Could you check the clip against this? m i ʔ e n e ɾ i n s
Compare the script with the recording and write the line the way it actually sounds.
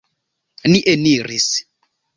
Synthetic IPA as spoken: n i ʔ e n i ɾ i s